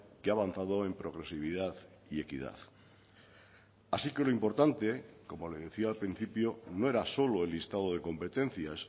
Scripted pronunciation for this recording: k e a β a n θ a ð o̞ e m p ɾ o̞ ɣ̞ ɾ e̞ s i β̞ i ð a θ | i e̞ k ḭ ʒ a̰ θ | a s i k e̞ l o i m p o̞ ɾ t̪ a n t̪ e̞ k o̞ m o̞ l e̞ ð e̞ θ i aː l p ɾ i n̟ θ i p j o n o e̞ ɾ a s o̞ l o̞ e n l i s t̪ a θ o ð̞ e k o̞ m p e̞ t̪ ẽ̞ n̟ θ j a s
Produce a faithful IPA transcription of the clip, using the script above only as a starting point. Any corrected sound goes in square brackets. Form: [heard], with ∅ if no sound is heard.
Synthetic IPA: k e a β a n θ a ð o̞ e m p ɾ o̞ ɣ̞ ɾ e̞ s i β̞ i ð a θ | i e̞ k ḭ [ð] a̰ θ | a s i k e̞ l o i m p o̞ ɾ t̪ a n t̪ e̞ k o̞ m o̞ l e̞ ð e̞ θ i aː l p ɾ i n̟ θ i p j o n o e̞ ɾ a s o̞ l o̞ e [∅] l i s t̪ a [ð] o ð̞ e k o̞ m p e̞ t̪ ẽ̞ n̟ θ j a s